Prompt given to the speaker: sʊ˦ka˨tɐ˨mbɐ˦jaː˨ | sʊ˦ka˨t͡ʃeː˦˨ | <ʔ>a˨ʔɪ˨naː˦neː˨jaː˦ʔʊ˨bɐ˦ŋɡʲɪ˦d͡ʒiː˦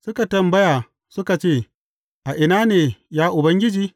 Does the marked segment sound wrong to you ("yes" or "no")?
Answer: no